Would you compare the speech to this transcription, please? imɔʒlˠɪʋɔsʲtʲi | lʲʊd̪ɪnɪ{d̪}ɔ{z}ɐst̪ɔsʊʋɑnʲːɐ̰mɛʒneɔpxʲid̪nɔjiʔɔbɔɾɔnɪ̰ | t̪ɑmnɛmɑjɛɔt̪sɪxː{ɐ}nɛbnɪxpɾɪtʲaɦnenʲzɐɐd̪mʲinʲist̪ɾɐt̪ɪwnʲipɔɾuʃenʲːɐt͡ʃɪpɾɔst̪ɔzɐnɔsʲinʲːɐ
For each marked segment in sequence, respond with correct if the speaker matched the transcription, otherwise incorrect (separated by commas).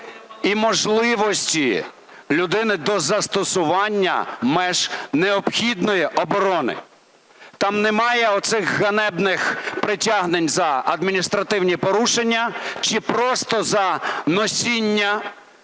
correct, correct, correct